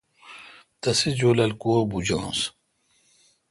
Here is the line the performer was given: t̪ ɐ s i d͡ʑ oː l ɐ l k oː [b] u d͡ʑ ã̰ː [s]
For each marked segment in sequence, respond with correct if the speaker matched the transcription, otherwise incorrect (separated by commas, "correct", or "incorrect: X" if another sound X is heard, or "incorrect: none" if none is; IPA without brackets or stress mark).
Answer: correct, correct